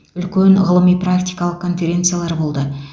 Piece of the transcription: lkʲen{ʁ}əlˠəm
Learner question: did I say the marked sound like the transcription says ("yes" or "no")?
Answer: yes